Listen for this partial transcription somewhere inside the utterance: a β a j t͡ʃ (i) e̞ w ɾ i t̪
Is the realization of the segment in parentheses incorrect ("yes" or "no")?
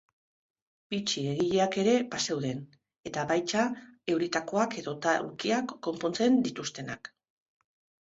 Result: yes